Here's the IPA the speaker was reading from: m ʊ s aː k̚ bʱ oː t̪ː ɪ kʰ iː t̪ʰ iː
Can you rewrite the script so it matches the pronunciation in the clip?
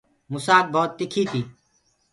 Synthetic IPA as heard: m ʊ s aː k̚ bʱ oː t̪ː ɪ kʰ iː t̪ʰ iː